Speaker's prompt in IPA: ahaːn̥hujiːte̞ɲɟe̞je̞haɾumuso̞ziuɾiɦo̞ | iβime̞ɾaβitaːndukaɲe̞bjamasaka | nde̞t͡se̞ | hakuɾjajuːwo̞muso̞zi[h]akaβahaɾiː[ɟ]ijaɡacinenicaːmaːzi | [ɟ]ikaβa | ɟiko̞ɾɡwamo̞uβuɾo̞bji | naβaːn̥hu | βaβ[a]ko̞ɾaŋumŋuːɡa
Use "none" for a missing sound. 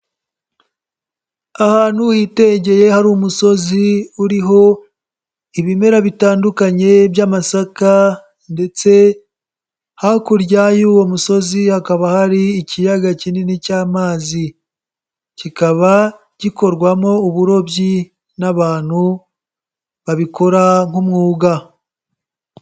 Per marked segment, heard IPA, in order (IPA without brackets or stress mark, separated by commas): h, c, c, i